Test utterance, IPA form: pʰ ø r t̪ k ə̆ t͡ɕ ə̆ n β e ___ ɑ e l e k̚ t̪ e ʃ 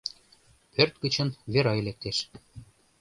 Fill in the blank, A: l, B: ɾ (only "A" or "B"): B